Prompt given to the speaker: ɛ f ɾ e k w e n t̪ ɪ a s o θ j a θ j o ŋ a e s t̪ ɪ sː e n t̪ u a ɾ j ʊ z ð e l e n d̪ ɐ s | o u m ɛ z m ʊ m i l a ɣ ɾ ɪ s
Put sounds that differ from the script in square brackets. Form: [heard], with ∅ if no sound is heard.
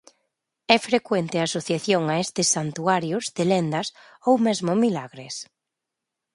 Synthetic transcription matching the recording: ɛ f ɾ e k w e n t̪ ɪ a s o θ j a θ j o ŋ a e s t̪ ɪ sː [a] n t̪ u a ɾ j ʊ z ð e l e n d̪ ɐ s | o [w] m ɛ z m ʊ m i l a ɣ ɾ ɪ s